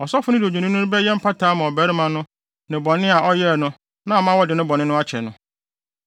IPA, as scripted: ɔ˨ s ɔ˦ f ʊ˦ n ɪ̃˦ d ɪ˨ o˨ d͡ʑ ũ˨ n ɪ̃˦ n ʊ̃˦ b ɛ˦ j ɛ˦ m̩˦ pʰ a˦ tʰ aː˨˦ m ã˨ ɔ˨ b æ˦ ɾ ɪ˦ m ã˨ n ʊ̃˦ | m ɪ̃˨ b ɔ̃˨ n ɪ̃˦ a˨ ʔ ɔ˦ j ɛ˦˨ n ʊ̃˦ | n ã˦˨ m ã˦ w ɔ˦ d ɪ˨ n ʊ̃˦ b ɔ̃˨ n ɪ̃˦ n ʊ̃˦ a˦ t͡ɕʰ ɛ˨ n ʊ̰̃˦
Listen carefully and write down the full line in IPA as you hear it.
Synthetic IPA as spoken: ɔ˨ s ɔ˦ f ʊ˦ n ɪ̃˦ d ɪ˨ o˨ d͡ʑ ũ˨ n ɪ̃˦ n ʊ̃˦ b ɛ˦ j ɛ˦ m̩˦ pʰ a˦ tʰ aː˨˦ m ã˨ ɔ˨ b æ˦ ɾ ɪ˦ m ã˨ n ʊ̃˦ | n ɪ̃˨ b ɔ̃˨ n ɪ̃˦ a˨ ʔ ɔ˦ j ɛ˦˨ n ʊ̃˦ | n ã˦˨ m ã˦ w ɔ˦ d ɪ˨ n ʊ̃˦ b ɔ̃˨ n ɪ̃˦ n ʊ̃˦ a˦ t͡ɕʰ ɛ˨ n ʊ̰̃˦